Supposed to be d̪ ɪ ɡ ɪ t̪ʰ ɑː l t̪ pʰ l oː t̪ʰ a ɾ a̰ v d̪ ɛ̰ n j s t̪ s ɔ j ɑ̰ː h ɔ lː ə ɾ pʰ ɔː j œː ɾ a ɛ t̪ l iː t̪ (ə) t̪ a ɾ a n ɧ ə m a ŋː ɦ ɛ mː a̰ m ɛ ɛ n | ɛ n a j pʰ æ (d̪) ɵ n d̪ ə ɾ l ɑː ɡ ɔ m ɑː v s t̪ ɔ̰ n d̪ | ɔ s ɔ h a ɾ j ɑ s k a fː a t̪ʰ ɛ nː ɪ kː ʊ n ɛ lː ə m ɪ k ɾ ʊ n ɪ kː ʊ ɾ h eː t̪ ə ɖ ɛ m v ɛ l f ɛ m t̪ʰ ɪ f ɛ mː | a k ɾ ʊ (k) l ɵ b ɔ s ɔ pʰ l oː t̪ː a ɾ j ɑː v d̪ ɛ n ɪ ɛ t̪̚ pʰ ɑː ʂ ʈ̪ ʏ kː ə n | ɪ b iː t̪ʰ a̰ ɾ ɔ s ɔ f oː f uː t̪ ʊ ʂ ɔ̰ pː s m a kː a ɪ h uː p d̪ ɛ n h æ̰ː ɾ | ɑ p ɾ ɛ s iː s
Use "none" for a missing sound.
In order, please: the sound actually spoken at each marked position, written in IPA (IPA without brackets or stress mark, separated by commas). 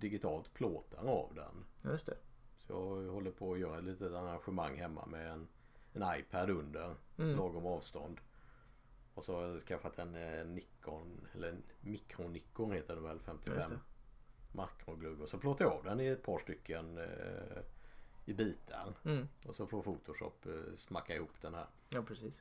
ə, d̪, ɡ